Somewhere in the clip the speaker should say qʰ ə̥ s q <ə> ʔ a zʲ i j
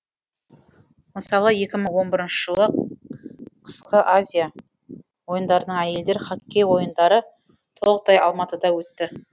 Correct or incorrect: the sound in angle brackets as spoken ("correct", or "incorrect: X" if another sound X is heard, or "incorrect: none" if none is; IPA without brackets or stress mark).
correct